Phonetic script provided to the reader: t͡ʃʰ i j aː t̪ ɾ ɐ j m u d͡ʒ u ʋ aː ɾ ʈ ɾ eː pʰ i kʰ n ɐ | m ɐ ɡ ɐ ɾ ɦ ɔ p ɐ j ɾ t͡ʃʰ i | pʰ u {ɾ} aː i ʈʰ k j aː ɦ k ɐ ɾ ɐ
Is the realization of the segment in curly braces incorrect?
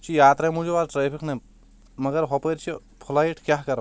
yes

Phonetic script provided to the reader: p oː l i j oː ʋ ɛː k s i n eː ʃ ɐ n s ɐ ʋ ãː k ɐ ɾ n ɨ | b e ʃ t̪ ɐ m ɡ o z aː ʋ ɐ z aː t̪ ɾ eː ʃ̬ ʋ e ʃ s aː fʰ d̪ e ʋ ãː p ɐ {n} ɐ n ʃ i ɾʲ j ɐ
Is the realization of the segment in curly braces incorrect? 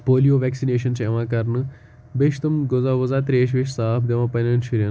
no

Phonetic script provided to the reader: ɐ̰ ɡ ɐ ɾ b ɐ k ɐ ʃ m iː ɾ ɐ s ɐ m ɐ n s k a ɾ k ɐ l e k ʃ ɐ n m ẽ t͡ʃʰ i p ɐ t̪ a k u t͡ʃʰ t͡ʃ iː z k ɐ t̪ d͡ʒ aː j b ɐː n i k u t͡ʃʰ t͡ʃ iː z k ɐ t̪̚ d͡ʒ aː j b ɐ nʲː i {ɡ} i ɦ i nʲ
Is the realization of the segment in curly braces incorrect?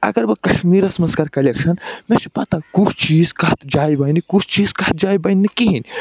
yes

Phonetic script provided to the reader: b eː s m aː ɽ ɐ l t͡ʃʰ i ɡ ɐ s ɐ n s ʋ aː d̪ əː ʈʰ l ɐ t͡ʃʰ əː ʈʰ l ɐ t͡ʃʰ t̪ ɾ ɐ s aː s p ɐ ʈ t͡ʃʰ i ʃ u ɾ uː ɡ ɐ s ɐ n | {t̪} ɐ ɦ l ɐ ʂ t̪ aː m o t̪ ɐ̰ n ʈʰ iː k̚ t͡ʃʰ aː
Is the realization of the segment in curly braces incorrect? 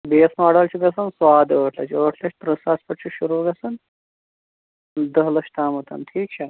yes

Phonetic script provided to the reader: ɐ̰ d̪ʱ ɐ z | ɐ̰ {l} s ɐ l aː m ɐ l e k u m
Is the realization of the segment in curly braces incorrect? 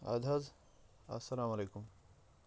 yes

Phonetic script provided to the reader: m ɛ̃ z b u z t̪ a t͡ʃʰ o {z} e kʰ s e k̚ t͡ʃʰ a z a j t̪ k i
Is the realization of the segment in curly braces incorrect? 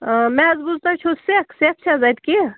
yes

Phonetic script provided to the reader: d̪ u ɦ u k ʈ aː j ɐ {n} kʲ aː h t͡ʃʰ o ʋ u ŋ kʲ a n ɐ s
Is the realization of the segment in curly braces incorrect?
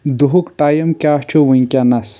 yes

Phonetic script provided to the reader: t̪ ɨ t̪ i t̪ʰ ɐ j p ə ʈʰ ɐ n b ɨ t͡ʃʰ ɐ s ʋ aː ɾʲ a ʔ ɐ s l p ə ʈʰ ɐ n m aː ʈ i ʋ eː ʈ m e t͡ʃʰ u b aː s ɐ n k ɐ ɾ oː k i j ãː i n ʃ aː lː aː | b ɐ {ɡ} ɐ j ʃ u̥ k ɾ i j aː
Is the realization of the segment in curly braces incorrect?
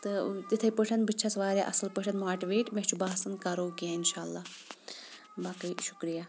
yes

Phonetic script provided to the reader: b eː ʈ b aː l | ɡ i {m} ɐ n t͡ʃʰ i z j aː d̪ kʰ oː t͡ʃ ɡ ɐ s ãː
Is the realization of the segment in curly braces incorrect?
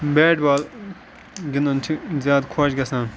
yes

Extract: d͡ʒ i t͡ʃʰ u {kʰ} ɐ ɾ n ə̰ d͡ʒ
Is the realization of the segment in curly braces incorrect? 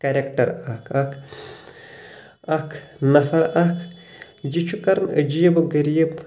yes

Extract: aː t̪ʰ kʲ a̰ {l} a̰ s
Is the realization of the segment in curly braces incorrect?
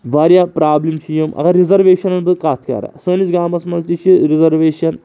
yes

